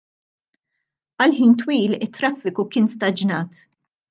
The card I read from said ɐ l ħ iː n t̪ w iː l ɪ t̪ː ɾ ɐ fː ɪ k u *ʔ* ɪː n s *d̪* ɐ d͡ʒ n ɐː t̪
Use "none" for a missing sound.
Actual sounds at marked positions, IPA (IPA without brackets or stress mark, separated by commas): k, t̪